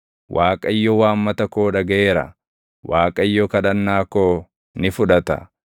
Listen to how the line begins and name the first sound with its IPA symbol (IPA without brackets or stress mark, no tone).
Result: w